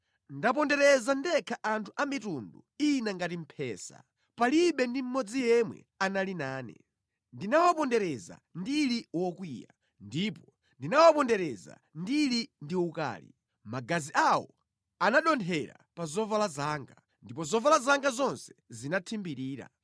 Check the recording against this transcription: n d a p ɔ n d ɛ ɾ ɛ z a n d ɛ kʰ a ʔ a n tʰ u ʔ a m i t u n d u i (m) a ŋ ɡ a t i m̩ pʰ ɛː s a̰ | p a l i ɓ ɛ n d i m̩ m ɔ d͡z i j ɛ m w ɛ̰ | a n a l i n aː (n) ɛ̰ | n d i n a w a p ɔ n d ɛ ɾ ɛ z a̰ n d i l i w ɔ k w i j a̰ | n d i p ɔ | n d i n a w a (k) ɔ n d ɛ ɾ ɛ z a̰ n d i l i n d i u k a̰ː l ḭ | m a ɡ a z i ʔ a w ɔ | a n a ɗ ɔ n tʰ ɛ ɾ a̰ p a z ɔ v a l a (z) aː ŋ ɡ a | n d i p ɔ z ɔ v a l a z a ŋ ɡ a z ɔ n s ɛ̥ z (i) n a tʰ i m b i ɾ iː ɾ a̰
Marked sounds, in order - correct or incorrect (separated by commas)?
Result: incorrect, correct, incorrect, correct, correct